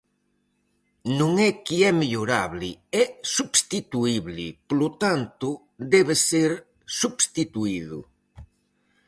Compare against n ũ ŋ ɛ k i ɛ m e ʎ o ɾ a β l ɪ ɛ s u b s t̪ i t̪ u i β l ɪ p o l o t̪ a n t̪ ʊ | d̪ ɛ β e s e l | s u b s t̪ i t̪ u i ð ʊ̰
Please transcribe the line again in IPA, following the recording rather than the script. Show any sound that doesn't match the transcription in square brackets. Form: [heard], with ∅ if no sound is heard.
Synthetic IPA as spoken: n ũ ŋ ɛ k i ɛ m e ʎ o ɾ a β l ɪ ɛ s u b s t̪ i t̪ u i β l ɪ p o l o t̪ a n t̪ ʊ | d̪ ɛ β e s e [ɾ] | s u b s t̪ i t̪ u i ð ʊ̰